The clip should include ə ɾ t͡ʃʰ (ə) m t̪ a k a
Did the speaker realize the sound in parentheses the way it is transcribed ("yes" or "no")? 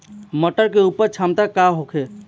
no